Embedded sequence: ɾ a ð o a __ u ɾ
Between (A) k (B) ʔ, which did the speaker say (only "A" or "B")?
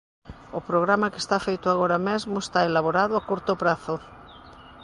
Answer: A